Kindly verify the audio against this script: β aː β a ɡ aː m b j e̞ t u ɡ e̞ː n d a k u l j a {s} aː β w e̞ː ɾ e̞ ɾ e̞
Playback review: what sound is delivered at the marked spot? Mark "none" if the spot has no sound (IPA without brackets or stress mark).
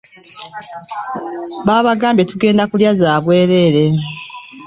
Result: z